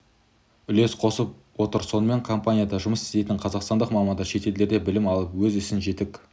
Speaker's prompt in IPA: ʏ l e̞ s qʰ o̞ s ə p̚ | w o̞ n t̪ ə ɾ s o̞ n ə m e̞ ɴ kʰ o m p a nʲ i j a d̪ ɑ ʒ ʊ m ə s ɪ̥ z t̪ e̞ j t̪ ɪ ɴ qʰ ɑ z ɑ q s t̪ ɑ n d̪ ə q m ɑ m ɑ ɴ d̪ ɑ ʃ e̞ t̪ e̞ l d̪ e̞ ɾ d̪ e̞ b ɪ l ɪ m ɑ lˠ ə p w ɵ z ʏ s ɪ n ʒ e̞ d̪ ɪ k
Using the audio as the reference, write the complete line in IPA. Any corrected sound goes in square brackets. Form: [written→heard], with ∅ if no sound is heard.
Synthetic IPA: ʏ l e̞ s qʰ o̞ s ə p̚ | w o̞ [n→∅] t̪ ə ɾ s o̞ n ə m e̞ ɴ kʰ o m p a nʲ i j a d̪ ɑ ʒ ʊ m ə s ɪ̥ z t̪ e̞ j t̪ ɪ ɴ qʰ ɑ z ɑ q s t̪ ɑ n d̪ ə q m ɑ m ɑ [ɴ→n] d̪ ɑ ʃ e̞ t̪ e̞ l d̪ e̞ ɾ d̪ e̞ b ɪ l ɪ m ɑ lˠ ə p w ɵ z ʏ s ɪ n ʒ e̞ [d̪→t̪] ɪ k